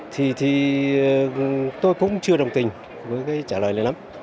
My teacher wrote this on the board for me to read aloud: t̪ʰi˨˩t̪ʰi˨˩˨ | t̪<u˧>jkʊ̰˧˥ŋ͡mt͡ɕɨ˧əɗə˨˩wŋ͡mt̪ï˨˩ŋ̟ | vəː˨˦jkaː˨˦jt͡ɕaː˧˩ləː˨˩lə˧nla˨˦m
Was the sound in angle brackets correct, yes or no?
no